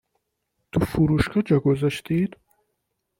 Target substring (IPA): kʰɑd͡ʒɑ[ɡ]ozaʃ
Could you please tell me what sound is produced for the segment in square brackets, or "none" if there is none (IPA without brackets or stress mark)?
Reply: ɡ